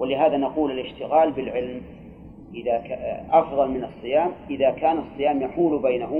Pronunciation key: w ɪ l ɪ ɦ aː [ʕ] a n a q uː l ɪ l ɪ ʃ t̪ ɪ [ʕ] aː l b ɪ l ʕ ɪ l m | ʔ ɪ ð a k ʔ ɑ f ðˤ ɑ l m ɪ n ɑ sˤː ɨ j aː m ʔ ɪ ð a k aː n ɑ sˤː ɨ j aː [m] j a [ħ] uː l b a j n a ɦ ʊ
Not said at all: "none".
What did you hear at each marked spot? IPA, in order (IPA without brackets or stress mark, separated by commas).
ð, ɣ, m, ħ